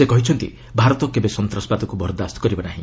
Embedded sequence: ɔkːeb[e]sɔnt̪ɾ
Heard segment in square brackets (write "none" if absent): e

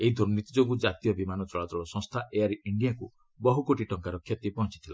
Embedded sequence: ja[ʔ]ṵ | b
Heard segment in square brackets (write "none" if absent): k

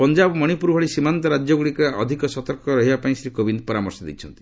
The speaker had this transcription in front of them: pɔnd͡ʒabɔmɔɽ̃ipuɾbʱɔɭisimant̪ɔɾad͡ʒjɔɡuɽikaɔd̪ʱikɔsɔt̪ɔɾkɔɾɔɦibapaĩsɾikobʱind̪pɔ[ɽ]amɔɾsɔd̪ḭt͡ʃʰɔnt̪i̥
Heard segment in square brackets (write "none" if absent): ɾ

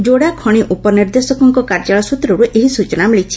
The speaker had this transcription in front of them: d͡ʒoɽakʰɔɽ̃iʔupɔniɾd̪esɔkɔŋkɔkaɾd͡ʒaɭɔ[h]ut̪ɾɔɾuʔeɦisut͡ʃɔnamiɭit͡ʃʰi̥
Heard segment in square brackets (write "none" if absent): s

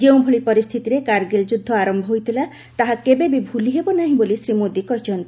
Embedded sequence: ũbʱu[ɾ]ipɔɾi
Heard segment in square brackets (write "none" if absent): ɭ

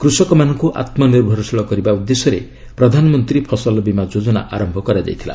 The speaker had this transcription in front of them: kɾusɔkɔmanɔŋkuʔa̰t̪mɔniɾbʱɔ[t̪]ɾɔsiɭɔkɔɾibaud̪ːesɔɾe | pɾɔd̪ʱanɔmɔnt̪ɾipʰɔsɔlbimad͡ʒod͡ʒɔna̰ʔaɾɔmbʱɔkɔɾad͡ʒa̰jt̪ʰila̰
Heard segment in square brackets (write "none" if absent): none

